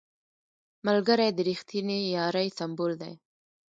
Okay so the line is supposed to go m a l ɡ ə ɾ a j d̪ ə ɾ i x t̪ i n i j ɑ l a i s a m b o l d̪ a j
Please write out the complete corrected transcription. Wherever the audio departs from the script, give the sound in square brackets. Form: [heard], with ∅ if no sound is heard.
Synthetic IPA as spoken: m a l ɡ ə ɾ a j d̪ ə ɾ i x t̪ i n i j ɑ [ɾ] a [j] s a m b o l d̪ a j